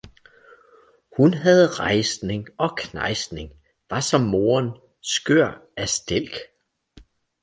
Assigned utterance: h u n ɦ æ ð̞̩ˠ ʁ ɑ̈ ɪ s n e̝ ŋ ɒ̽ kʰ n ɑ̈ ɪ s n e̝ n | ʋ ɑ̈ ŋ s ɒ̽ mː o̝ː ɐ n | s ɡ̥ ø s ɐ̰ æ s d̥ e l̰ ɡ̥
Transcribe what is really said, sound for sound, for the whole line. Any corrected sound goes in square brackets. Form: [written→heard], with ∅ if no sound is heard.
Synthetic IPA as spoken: h u n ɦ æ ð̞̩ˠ ʁ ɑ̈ ɪ s n e̝ ŋ ɒ̽ kʰ n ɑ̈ ɪ s n e̝ [n→ŋ] | ʋ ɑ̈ [ŋ→∅] s ɒ̽ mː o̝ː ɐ n | s ɡ̥ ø [s→∅] ɐ̰ æ s d̥ e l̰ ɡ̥